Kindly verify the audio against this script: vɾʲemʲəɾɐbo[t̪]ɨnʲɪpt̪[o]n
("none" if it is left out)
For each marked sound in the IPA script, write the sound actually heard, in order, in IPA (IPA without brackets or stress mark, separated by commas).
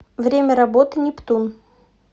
t̪, u